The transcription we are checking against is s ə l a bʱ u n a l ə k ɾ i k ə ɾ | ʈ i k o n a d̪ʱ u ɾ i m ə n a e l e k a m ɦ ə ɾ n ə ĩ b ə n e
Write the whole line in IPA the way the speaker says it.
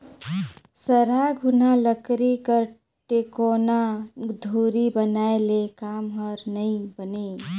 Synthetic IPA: s ə ɾ a ɡʱ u n a l ə k ɾ i k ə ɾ | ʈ e k o n a d̪ʱ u ɾ i b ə n a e l e k a m ɦ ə ɾ n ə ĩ b ə n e